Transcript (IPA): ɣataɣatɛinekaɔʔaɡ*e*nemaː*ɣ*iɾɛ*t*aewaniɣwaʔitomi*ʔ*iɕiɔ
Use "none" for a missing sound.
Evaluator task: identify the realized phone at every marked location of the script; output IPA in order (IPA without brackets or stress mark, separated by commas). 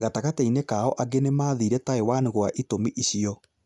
e, ð, t, ʔ